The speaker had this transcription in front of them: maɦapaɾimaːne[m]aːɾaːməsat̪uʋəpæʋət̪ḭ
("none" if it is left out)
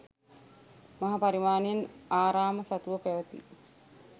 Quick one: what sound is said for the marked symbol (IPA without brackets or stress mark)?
n